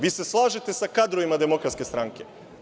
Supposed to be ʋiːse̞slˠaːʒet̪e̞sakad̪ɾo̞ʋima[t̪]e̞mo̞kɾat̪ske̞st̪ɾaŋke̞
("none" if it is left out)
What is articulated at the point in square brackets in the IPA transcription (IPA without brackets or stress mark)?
d̪